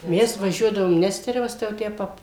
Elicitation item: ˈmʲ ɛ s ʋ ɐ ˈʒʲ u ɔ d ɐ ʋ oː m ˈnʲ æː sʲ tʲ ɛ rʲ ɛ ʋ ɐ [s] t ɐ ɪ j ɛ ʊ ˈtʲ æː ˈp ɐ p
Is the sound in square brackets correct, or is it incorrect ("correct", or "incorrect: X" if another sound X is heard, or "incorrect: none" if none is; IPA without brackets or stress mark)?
correct